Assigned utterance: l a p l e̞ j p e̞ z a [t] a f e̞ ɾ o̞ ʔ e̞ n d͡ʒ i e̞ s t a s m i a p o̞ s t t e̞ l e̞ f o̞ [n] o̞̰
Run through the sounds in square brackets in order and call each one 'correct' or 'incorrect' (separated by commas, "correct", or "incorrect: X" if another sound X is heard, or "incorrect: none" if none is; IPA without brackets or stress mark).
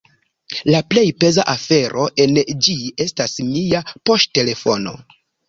incorrect: ʔ, correct